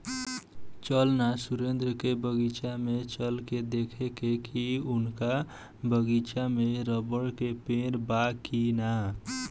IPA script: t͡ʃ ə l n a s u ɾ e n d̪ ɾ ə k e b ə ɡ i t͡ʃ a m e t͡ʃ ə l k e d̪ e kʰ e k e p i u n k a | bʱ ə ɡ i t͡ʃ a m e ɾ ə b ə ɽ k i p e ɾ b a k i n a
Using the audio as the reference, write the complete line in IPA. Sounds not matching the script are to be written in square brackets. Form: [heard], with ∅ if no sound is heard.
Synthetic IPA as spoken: t͡ʃ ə l n a s u ɾ e n d̪ ɾ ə k e b ə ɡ i t͡ʃ a m e t͡ʃ ə l k e d̪ e kʰ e k e [k] i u n k a | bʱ ə ɡ i t͡ʃ a m e ɾ ə b ə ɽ k [e] p e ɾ b a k i n a